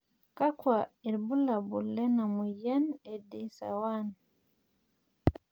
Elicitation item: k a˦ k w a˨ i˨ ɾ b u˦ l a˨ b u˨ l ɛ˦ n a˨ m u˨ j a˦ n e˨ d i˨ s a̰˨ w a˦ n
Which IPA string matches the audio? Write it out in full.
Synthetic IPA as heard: k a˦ k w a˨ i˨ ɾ b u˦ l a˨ b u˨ l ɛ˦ n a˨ m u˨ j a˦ n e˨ d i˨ s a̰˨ w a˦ n